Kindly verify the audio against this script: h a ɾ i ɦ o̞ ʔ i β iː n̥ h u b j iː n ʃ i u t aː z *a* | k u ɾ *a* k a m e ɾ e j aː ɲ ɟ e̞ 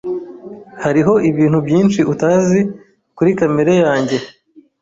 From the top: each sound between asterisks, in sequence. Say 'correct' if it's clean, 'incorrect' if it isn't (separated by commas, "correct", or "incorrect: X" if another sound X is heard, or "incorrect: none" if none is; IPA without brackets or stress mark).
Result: incorrect: i, incorrect: i